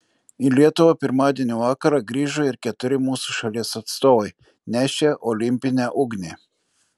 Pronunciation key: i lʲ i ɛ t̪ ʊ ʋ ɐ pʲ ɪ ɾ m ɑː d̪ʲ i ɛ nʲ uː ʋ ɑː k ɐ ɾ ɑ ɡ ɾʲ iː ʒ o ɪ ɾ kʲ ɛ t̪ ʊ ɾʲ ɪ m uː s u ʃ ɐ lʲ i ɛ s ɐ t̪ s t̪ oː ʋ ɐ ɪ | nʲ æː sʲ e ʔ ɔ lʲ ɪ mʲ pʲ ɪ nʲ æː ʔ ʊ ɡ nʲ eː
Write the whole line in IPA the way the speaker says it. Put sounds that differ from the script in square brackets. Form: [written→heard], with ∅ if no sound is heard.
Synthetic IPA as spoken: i lʲ i ɛ t̪ ʊ ʋ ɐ pʲ ɪ ɾ m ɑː d̪ʲ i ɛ nʲ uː ʋ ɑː k ɐ ɾ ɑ ɡ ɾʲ iː ʒ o ɪ ɾ kʲ ɛ t̪ ʊ ɾʲ ɪ m uː s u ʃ ɐ lʲ i ɛ s ɐ t̪ s t̪ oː ʋ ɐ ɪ | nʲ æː [sʲ→ʃʲ] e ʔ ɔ lʲ ɪ mʲ pʲ ɪ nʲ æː ʔ ʊ ɡ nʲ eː